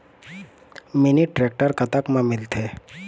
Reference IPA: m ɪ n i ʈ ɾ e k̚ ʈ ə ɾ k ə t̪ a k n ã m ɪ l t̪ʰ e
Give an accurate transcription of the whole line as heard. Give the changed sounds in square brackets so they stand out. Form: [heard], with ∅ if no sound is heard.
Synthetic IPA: m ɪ n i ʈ ɾ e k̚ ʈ ə ɾ k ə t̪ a k [m] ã m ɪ l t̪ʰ e